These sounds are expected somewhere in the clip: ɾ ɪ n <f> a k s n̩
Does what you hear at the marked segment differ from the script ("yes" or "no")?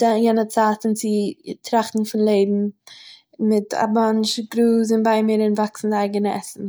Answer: yes